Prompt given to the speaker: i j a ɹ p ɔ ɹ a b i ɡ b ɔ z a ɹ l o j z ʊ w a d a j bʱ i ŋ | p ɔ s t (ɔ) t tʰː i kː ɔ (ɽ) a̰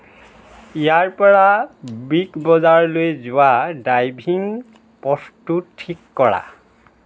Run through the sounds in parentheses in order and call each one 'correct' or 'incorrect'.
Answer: incorrect: u, incorrect: ɹ

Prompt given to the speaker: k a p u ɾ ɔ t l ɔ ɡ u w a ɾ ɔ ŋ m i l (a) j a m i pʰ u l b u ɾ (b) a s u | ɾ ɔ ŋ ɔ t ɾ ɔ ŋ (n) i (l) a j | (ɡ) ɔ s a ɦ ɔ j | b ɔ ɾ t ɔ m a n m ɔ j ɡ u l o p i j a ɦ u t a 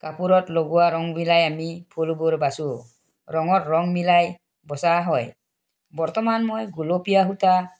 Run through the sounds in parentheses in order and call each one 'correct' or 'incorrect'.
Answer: correct, correct, incorrect: m, correct, incorrect: b

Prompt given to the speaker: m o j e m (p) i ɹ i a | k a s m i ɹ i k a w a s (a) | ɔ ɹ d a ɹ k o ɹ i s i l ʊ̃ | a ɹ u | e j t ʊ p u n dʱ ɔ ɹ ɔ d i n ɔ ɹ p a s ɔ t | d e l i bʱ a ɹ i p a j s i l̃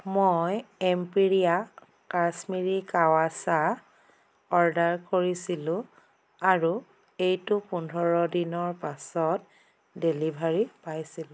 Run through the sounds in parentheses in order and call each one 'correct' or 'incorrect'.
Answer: correct, correct

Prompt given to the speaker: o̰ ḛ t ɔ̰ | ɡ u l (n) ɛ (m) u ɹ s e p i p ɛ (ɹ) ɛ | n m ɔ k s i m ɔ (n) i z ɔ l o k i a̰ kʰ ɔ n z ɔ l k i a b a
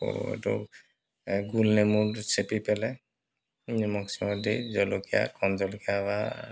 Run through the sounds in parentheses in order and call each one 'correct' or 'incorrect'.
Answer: correct, correct, incorrect: l, incorrect: d

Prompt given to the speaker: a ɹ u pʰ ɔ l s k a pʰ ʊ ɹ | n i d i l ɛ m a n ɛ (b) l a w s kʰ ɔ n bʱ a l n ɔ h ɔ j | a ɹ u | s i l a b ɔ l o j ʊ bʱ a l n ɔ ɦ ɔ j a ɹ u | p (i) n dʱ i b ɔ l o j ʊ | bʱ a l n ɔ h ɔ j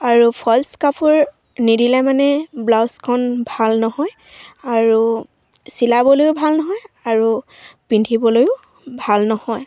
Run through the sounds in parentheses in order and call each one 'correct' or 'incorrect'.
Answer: correct, correct

